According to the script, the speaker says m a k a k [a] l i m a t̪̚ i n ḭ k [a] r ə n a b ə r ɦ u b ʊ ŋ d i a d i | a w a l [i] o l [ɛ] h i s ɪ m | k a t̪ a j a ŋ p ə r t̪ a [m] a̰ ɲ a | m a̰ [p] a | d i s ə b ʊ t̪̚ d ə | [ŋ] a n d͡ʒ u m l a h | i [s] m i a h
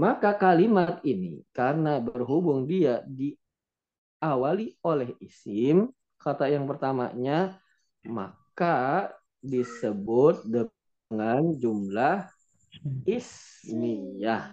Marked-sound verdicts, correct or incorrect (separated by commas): correct, correct, correct, correct, correct, incorrect, correct, correct